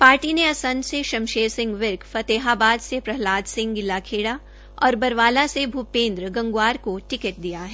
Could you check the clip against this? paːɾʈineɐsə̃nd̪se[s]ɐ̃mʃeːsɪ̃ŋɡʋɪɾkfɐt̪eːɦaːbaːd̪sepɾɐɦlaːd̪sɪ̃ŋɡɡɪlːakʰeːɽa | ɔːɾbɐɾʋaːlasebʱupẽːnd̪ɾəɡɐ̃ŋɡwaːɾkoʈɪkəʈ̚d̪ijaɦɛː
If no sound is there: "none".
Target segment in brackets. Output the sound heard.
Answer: ʃ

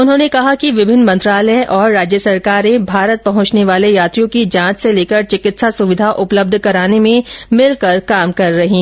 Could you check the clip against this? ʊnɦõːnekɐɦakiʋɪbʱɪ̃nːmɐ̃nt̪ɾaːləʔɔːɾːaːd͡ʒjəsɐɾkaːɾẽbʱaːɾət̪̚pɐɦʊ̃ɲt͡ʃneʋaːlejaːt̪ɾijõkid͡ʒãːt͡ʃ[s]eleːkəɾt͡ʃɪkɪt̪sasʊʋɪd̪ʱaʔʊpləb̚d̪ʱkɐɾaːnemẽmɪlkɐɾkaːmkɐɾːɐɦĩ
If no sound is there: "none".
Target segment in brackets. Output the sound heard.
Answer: s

